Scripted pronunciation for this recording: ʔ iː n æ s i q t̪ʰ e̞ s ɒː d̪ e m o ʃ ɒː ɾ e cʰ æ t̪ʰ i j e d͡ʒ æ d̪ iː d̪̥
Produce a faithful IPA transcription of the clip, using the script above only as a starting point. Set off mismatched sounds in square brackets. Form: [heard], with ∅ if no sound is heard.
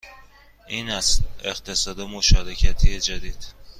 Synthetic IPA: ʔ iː n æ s [e] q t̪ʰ e̞ s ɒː d̪ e m o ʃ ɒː ɾ e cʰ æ t̪ʰ i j e d͡ʒ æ d̪ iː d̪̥